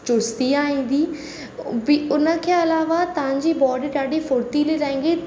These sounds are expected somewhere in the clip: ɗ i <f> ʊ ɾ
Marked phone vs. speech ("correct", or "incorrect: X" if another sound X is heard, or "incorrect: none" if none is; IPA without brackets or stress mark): correct